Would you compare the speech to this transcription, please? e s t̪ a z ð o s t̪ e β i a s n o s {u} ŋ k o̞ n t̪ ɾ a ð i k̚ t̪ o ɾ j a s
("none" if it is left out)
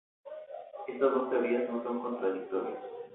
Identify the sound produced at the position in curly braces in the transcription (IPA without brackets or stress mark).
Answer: o